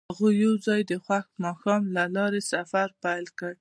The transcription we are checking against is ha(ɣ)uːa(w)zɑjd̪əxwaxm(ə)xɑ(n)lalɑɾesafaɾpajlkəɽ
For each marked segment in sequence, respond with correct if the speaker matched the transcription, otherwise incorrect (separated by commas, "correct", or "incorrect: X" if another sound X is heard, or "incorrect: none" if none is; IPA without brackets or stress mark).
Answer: correct, correct, incorrect: ɑ, incorrect: m